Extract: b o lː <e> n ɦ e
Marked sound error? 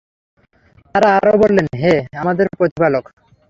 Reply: no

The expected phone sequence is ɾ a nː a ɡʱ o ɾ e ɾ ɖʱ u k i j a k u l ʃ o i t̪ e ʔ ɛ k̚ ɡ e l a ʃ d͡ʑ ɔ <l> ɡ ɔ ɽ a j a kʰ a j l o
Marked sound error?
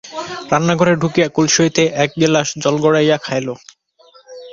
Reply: no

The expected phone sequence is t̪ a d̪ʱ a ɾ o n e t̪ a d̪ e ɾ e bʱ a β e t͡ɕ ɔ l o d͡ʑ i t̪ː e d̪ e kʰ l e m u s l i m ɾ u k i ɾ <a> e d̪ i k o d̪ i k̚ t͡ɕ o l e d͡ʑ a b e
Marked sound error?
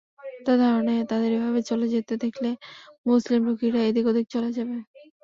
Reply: no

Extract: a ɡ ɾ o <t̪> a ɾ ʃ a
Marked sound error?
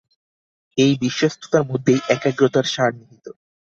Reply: no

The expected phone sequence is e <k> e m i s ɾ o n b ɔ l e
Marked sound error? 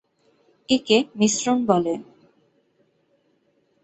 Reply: no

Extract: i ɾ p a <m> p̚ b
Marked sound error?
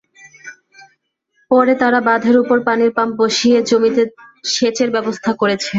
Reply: no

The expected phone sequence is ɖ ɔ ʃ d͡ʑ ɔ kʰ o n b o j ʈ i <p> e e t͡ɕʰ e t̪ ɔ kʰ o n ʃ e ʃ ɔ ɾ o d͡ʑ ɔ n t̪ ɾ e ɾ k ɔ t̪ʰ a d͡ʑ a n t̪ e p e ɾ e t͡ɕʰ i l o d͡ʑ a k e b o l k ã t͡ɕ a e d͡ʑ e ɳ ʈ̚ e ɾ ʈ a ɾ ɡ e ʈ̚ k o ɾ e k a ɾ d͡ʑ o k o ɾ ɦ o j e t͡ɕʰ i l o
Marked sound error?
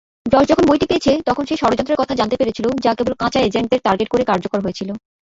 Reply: no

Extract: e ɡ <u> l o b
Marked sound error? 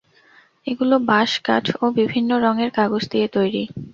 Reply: no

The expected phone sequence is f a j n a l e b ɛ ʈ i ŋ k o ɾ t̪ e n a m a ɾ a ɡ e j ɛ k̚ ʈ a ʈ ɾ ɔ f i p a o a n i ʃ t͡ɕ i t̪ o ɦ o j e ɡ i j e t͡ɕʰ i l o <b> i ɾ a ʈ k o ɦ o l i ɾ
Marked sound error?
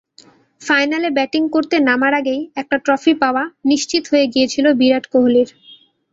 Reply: no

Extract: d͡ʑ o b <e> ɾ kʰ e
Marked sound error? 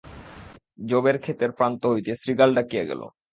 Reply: no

